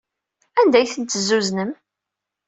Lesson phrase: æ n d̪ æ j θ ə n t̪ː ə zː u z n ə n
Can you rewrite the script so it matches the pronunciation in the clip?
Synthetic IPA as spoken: æ n d̪ æ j θ ə n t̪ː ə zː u z n ə m